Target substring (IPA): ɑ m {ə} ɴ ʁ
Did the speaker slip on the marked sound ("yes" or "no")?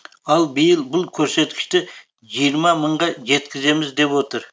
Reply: no